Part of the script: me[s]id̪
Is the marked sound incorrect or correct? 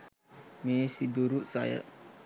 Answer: correct